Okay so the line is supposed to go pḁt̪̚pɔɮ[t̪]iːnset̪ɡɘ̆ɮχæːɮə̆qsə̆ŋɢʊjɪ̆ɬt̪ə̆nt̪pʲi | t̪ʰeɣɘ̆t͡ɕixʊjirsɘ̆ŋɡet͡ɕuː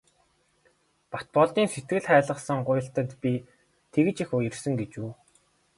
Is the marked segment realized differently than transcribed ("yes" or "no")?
no